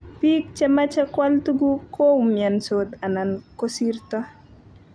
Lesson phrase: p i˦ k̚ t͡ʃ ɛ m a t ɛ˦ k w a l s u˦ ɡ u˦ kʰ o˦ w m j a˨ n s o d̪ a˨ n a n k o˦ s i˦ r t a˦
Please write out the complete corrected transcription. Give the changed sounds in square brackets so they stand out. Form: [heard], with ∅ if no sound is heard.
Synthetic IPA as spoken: p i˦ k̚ t͡ʃ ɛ m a [t͡ʃ] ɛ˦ k w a l [t] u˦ ɡ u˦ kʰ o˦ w m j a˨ n s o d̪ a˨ n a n k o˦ s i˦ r t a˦